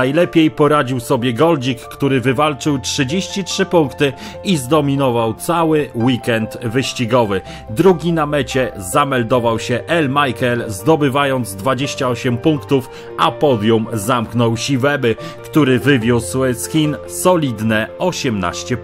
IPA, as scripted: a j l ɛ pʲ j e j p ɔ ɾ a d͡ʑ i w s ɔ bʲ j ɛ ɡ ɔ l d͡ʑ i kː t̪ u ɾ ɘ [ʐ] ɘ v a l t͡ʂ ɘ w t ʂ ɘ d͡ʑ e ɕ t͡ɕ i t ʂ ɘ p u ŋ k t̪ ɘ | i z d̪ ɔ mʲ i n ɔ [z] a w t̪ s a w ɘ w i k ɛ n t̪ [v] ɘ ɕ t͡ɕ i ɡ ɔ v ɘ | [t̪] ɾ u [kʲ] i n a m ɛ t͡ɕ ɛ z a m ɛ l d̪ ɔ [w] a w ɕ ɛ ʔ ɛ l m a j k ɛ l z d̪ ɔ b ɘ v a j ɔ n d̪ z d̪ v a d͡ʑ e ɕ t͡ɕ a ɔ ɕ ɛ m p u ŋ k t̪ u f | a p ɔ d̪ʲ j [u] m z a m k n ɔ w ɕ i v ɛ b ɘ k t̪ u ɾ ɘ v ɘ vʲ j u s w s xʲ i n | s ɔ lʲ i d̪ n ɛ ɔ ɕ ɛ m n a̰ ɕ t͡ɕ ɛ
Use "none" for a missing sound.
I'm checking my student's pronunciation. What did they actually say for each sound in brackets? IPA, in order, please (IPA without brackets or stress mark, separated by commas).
v, v, v, d̪, ɡʲ, v, u